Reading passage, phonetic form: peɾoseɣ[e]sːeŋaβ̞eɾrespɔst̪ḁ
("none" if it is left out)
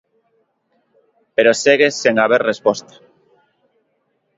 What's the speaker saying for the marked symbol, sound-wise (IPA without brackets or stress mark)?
e